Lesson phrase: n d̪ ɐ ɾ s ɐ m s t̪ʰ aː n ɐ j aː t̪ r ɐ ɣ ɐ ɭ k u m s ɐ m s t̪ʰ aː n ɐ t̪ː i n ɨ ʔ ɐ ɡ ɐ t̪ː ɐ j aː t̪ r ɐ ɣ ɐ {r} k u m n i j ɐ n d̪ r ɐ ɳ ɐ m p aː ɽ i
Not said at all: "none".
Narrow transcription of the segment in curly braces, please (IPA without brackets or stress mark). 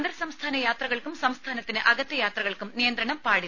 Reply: ɭ